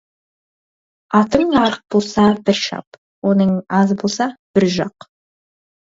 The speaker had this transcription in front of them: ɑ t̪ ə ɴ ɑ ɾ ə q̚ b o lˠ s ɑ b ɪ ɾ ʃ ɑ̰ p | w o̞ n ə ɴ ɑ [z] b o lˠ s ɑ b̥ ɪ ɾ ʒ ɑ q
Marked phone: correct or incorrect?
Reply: correct